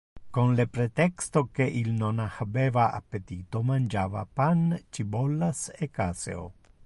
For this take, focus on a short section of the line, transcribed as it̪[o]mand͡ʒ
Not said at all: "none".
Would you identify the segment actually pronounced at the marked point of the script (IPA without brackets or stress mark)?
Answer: o